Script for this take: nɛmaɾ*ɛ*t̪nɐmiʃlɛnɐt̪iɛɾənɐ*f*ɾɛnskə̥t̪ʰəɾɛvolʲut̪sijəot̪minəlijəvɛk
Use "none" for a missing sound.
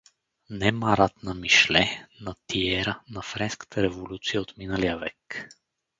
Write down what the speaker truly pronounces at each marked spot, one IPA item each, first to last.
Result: a, f

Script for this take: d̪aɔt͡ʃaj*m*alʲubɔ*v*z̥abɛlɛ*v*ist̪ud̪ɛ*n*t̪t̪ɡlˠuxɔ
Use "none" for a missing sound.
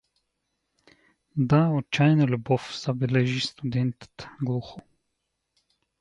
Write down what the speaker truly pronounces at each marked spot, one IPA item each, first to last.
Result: n, f, ʒ, n

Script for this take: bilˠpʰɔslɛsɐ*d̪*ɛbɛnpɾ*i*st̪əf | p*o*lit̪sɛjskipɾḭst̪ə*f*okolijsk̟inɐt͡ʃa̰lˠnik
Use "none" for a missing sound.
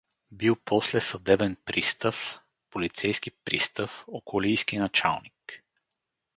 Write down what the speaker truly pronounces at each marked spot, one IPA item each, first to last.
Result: d̪, i, o, f

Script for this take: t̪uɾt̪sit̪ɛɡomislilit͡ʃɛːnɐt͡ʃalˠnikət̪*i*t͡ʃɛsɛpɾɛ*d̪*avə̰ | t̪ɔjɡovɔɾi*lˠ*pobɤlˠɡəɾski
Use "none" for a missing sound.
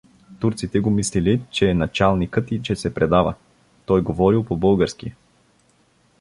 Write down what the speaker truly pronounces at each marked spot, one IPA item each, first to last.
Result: i, d̪, lˠ

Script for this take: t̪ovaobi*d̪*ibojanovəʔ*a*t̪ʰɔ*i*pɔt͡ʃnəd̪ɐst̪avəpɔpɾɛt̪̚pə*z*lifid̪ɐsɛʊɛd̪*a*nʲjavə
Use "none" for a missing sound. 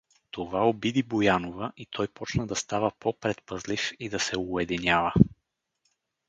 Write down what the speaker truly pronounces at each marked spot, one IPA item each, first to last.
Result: d̪, i, j, z, i

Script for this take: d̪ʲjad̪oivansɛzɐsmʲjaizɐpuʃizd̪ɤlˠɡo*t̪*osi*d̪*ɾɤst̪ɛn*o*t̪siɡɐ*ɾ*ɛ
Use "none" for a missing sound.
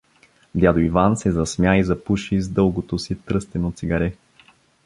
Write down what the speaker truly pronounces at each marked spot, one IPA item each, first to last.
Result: t̪, t̪, o, ɾ

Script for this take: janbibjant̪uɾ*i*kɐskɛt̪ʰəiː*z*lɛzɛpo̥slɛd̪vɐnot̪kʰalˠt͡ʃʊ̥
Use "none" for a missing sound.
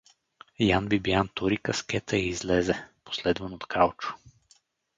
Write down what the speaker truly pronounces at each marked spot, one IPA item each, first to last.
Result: i, z

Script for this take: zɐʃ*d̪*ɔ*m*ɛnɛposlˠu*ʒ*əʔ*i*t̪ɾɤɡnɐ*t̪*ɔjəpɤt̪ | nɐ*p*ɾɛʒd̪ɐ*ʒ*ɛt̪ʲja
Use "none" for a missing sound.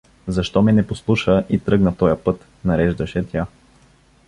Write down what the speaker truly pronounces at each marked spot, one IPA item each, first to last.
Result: t̪, m, ʃ, i, t̪, none, ʃ

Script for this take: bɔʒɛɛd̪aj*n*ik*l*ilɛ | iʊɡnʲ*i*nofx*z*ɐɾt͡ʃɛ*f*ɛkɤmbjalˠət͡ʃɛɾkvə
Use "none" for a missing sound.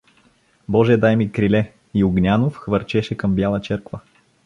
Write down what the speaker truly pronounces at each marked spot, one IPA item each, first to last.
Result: m, ɾ, a, v, ʃ

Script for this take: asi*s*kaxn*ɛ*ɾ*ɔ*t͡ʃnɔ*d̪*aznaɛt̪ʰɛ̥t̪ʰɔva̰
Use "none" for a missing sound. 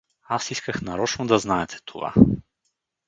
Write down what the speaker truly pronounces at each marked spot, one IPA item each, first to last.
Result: s, a, ɔ, d̪

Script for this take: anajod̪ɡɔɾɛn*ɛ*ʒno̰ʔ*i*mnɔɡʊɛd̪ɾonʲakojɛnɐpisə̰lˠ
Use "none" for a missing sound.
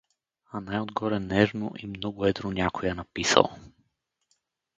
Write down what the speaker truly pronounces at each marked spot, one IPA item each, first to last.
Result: ɛ, i

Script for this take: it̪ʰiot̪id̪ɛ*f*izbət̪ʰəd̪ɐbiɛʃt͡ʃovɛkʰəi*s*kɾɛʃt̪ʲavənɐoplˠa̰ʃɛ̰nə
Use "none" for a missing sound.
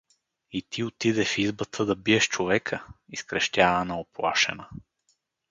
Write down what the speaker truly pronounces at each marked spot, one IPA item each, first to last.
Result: f, s

